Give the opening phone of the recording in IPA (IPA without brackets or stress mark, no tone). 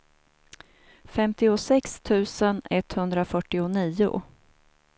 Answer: f